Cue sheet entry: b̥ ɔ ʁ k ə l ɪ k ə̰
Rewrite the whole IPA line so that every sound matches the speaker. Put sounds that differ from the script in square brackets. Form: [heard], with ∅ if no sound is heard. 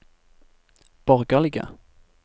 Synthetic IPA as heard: b̥ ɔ ʁ [ɡ] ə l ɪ [ɡ] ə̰